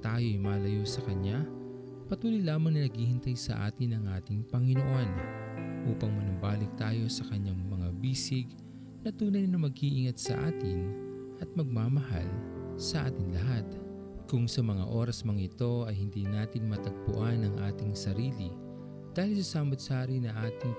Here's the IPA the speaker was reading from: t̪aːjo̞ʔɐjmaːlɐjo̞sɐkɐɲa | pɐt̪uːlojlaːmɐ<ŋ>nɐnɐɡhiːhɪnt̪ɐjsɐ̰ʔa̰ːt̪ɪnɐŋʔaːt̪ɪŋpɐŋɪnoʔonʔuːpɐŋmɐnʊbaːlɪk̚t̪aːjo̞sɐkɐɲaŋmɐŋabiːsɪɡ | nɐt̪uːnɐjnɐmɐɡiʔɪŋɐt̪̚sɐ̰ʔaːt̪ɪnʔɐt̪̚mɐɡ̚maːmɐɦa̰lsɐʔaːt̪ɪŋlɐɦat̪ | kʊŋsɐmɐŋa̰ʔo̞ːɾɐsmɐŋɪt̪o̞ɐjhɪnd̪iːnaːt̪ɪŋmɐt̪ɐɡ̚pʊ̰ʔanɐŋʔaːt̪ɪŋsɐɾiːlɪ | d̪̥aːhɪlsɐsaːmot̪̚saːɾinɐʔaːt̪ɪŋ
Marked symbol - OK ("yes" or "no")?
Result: yes